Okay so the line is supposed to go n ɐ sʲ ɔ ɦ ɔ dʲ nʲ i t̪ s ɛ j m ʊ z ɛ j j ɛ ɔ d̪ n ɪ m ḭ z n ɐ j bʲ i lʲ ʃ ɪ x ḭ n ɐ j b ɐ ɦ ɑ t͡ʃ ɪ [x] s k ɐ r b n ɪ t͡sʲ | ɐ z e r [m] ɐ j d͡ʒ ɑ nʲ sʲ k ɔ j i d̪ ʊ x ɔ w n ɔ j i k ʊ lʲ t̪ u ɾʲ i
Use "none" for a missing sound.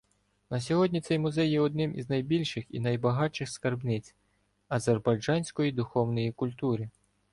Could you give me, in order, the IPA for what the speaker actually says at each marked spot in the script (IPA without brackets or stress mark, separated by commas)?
x, b